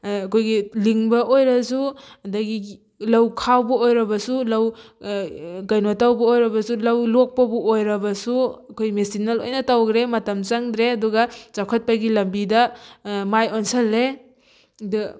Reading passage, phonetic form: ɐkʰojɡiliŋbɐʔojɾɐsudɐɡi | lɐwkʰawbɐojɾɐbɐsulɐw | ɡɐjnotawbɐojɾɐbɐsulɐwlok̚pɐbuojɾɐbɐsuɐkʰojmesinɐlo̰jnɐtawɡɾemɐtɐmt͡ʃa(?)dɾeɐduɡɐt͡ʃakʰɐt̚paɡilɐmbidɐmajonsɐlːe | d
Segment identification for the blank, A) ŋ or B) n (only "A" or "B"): A